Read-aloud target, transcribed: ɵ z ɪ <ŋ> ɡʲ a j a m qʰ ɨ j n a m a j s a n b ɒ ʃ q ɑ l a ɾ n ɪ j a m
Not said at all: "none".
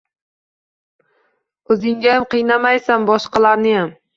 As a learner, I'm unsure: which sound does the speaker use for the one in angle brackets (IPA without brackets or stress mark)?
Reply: ŋ